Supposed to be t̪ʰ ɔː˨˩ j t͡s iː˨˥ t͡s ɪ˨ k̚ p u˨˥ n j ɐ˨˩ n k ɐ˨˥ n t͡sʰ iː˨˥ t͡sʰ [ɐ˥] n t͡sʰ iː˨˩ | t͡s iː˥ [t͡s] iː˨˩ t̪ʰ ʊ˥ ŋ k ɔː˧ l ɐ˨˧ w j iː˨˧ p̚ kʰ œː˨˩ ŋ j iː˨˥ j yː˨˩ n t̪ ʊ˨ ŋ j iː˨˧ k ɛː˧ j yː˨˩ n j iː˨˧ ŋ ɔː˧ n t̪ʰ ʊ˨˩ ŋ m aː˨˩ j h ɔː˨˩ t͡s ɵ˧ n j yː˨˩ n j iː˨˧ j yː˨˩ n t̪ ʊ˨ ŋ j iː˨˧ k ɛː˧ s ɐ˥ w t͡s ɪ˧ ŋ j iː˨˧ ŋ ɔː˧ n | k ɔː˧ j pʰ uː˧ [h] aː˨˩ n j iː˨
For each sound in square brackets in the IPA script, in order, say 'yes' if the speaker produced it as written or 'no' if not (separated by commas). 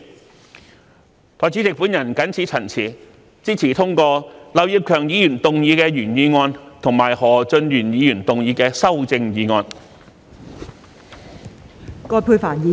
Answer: no, no, no